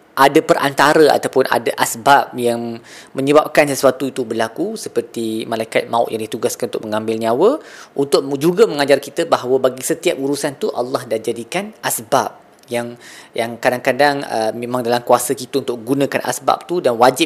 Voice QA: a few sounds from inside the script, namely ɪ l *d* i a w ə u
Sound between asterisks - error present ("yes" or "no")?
yes